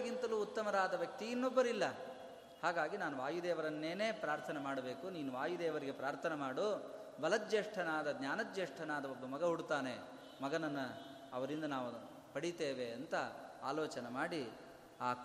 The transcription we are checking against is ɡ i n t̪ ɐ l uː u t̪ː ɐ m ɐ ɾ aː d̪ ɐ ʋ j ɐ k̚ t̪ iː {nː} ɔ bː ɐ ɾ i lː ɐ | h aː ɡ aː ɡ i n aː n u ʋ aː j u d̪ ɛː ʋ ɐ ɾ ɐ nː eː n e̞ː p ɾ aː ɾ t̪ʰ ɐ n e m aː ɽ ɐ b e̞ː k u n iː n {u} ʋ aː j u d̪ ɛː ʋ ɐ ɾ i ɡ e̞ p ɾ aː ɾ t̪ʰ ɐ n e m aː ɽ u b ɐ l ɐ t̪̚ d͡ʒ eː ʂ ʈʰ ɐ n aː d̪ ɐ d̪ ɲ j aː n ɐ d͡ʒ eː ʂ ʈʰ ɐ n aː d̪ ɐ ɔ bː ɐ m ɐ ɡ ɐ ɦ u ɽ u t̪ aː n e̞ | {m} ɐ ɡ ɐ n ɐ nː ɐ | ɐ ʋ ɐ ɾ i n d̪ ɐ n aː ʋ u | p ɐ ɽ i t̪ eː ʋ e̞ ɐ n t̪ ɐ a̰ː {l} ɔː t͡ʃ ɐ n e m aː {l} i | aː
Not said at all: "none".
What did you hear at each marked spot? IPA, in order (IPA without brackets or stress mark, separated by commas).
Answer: nː, u, m, l, ɽ